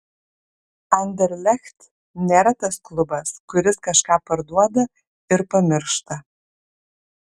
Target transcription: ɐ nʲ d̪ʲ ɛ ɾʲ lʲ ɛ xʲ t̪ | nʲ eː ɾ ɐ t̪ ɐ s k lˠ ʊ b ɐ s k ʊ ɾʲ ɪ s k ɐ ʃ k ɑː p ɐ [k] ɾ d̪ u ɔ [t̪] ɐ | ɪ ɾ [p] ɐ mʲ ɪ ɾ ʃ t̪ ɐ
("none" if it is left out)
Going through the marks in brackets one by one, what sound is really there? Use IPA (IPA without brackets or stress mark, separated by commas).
none, d̪, p